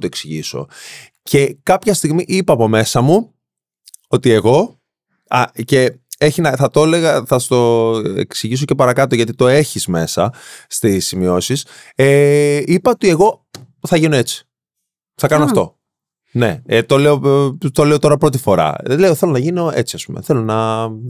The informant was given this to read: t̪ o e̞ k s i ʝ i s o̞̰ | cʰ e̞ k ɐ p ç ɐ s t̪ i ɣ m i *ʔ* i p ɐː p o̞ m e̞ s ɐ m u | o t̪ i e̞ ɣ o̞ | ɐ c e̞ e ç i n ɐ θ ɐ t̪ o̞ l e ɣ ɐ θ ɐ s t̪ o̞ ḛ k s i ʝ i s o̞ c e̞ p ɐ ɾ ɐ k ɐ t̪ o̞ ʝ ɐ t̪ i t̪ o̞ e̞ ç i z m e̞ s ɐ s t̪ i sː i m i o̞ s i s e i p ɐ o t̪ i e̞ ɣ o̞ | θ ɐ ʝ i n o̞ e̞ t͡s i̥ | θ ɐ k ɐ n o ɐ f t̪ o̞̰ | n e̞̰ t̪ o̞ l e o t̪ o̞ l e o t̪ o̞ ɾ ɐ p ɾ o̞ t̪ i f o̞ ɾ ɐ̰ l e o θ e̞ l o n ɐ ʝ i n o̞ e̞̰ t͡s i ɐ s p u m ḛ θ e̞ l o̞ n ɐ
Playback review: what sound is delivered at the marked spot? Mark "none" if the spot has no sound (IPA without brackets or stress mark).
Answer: ʔ